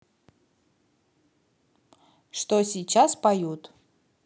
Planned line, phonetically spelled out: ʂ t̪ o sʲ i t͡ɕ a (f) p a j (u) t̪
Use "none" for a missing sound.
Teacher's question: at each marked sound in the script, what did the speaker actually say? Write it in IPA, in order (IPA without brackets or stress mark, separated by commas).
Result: s, u